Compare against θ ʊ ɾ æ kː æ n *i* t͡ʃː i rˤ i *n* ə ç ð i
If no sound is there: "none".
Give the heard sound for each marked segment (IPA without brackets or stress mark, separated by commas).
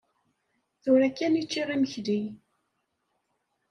i, m